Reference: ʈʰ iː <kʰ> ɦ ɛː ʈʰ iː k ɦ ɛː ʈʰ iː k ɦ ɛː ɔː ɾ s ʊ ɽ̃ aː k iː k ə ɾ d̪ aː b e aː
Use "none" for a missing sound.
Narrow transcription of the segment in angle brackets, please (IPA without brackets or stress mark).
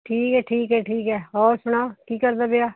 k